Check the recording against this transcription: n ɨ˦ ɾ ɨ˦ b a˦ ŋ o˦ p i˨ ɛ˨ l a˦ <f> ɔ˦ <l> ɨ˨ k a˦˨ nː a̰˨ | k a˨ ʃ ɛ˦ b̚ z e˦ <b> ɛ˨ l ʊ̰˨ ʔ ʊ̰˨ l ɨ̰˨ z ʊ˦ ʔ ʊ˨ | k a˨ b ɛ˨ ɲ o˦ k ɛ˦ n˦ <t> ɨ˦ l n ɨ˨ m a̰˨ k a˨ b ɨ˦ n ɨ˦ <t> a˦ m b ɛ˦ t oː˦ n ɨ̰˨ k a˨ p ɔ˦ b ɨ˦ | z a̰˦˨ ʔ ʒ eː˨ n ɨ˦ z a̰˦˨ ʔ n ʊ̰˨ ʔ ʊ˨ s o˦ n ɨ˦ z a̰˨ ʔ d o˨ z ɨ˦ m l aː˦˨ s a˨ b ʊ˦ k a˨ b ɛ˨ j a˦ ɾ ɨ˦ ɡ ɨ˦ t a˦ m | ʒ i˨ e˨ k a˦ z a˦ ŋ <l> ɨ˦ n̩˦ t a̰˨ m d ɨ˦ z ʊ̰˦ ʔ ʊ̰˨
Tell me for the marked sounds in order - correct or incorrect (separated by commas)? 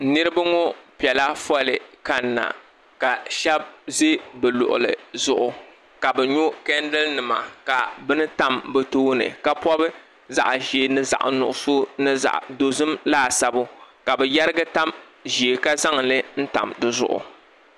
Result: correct, correct, correct, incorrect, correct, correct